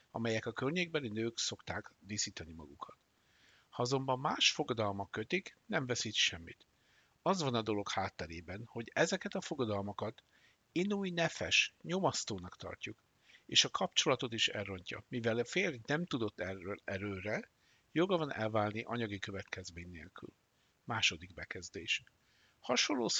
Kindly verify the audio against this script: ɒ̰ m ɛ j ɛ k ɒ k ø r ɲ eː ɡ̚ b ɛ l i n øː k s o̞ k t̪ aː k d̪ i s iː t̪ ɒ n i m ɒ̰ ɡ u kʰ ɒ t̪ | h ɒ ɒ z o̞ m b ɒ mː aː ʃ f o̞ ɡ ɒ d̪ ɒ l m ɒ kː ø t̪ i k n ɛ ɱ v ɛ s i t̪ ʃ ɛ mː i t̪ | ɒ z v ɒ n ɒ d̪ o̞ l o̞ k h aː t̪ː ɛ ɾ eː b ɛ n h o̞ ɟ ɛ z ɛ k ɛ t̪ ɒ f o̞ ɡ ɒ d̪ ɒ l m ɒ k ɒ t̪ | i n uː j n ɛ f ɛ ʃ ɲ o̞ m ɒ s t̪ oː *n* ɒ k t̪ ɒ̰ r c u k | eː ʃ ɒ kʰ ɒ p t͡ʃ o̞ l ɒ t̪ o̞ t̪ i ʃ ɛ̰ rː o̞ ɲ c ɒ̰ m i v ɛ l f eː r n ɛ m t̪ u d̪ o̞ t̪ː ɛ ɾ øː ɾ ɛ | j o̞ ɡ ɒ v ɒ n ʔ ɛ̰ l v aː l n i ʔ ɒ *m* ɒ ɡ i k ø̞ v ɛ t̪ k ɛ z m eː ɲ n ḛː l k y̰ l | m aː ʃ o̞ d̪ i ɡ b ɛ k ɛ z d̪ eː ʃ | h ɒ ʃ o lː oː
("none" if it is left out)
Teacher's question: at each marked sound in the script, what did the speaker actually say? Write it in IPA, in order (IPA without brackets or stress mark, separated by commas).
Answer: n, ɲ